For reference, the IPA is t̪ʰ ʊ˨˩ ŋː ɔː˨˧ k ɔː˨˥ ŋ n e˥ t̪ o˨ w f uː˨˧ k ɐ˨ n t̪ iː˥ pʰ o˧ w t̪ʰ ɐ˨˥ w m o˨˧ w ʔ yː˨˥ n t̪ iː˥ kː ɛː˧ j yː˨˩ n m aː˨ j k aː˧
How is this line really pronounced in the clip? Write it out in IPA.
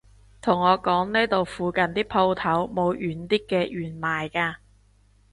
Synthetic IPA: t̪ʰ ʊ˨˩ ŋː ɔː˨˧ k ɔː˨˥ ŋ n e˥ t̪ o˨ w f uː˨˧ k ɐ˨ n t̪ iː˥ pʰ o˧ w t̪ʰ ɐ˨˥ w m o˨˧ w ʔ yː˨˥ n t̪ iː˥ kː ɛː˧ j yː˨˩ n m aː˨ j k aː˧

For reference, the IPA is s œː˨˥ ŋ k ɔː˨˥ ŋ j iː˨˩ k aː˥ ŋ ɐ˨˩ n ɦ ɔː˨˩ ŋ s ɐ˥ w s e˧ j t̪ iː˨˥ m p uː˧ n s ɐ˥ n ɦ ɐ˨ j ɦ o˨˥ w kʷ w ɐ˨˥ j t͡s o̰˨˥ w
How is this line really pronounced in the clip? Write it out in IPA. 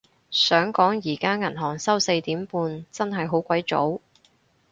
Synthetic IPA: s œː˨˥ ŋ k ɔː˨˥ ŋ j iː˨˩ k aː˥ ŋ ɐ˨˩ n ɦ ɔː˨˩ ŋ s ɐ˥ w s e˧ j t̪ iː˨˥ m p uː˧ n t͡s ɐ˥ n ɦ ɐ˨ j ɦ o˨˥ w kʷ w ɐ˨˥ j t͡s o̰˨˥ w

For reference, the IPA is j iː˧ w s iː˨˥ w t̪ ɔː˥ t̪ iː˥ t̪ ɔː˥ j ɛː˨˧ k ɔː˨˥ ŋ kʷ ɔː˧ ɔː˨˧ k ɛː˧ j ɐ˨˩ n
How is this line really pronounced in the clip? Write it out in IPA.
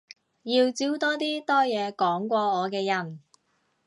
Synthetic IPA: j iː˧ w t͡s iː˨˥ w t̪ ɔː˥ t̪ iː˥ t̪ ɔː˥ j ɛː˨˧ k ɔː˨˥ ŋ kʷ ɔː˧ ɔː˨˧ k ɛː˧ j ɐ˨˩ n

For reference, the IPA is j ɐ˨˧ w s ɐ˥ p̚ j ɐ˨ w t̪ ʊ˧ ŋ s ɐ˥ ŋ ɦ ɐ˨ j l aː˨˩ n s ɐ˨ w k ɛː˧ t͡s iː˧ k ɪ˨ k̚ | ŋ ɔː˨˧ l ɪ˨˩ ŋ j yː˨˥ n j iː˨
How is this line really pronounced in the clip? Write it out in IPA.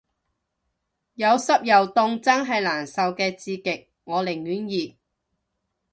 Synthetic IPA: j ɐ˨˧ w s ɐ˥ p̚ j ɐ˨ w t̪ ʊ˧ ŋ t͡s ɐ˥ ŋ ɦ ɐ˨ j l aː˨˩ n s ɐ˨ w k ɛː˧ t͡s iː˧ k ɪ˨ k̚ | ŋ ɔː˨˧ l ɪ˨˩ ŋ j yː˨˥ n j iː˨

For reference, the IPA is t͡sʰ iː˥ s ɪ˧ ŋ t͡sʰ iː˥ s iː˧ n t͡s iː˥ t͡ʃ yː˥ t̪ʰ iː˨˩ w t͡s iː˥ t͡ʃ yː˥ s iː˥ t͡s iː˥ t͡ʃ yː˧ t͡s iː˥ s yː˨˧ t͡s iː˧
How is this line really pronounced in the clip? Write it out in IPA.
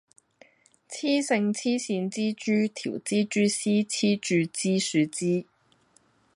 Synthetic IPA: t͡sʰ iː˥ s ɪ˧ ŋ t͡sʰ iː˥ s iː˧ n t͡s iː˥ t͡ʃ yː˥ t̪ʰ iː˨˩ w t͡s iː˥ t͡ʃ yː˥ s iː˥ t͡sʰ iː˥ t͡ʃ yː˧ t͡s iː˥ s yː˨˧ t͡s iː˥

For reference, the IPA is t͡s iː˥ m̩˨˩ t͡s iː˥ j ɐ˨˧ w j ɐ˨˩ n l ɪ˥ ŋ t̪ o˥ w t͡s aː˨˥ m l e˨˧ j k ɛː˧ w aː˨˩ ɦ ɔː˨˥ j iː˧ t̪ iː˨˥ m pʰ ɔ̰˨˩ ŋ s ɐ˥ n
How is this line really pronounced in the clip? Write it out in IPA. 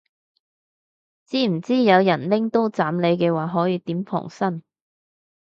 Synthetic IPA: t͡s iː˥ m̩˨˩ t͡s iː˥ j ɐ˨˧ w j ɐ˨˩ n l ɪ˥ ŋ t̪ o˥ w t͡s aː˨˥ m l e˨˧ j k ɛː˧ w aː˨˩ ɦ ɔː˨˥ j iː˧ t̪ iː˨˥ m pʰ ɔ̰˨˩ ŋ s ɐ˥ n

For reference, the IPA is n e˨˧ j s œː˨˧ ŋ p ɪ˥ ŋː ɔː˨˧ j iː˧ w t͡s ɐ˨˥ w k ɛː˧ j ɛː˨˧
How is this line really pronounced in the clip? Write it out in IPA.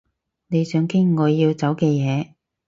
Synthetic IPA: n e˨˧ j s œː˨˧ ŋ k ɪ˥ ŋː ɔː˨˧ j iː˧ w t͡s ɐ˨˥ w k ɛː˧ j ɛː˨˧

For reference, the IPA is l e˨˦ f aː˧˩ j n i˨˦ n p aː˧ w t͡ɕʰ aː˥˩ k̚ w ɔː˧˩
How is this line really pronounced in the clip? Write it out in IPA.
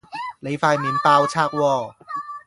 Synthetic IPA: l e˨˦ f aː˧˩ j m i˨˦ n p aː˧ w t͡ɕʰ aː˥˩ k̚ w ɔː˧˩

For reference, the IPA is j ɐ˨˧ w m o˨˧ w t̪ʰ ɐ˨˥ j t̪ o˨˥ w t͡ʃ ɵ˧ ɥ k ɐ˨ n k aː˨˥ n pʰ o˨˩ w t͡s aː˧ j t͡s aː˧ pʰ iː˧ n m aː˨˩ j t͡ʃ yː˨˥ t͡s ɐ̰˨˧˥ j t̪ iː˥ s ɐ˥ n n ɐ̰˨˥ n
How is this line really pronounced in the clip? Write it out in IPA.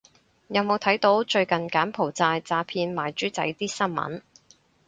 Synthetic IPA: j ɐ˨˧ w m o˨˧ w t̪ʰ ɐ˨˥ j t̪ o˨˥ w t͡ʃ ɵ˧ ɥ k ɐ˨ n k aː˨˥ n pʰ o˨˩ w t͡s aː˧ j t͡s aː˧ pʰ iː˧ n m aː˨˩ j t͡ʃ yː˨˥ t͡s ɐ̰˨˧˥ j t̪ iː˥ s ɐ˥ n m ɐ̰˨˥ n

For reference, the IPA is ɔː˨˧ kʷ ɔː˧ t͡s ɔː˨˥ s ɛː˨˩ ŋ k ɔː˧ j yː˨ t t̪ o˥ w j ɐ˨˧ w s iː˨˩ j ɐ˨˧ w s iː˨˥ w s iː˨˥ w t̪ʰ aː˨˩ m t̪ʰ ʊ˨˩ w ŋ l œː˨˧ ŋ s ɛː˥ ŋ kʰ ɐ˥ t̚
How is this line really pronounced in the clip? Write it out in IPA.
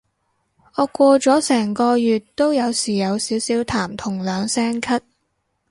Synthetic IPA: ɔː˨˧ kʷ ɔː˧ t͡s ɔː˨˥ s ɛː˨˩ ŋ k ɔː˧ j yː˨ t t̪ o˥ w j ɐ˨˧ w s iː˨˩ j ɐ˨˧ w s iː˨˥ w s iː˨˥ w t̪ʰ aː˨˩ m t̪ʰ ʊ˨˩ ŋ l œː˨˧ ŋ s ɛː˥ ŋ kʰ ɐ˥ t̚

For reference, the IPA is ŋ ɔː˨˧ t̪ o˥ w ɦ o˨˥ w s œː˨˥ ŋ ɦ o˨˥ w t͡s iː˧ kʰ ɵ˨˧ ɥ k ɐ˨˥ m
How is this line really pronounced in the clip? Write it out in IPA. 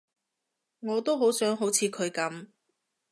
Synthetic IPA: ŋ ɔː˨˧ t̪ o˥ w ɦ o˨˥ w s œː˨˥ ŋ ɦ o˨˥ w t͡sʰ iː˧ kʰ ɵ˨˧ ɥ k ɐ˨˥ m

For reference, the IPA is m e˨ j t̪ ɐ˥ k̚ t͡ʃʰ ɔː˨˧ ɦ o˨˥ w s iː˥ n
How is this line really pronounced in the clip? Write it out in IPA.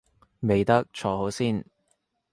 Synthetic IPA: m e˨ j t̪ ɐ˥ k̚ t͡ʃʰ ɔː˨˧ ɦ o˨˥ w s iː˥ n

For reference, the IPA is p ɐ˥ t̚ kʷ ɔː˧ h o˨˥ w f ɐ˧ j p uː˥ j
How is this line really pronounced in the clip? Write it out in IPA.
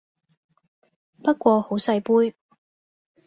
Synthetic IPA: p ɐ˥ t̚ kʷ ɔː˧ h o˨˥ w s ɐ˧ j p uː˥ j

